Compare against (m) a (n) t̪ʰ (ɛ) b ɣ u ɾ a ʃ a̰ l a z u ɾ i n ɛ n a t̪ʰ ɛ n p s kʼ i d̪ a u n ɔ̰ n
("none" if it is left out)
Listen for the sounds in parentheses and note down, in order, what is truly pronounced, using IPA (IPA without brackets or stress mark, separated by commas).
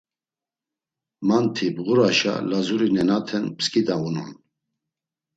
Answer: m, n, i